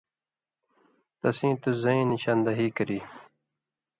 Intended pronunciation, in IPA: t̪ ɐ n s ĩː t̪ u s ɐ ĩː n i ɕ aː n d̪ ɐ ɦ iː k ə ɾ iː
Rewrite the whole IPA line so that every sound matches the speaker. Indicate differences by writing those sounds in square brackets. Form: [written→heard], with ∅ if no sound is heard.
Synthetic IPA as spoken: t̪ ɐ [n→∅] s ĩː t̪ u [s→z] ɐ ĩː n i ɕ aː n d̪ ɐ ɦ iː k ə ɾ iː